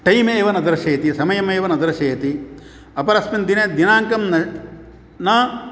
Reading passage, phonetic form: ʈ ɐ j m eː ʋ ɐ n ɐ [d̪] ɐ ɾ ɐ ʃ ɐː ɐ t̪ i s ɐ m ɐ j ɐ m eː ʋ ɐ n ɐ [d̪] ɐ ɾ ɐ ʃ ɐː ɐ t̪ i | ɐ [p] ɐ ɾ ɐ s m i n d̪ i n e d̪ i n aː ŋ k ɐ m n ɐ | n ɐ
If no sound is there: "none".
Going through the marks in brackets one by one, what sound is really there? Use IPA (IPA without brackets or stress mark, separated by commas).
d̪, d̪, p